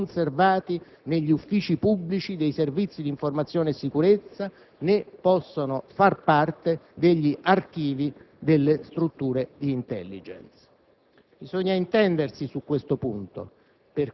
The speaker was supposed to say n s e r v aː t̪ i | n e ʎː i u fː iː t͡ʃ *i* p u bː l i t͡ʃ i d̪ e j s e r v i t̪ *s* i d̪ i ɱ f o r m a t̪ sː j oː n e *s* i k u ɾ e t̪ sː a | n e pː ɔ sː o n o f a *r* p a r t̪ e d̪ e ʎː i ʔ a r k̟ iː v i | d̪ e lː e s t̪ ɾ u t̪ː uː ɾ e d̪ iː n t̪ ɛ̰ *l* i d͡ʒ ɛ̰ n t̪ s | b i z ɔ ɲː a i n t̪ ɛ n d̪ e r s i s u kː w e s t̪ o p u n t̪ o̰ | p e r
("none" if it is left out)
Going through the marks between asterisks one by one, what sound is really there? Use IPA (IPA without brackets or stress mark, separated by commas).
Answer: i, sː, sː, r, lː